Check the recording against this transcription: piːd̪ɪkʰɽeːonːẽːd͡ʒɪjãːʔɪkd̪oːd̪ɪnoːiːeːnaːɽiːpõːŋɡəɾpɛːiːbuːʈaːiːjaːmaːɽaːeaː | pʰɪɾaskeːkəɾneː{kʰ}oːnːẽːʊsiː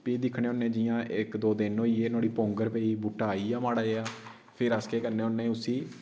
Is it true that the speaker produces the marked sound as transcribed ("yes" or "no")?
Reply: no